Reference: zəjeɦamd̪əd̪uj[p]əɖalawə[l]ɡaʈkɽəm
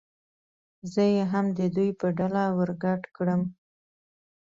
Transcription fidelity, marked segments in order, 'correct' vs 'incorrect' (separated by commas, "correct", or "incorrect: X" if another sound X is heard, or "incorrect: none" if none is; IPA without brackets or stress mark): correct, incorrect: ɾ